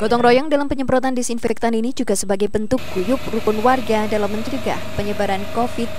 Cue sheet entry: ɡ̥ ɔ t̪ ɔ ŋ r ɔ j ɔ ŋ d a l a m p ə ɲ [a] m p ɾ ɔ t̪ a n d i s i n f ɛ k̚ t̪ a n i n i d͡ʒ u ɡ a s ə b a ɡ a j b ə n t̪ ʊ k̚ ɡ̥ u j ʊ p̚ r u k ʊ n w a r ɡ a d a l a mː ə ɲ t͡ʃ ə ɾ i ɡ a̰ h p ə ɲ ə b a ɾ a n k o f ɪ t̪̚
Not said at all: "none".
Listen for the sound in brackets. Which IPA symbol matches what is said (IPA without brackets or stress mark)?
ə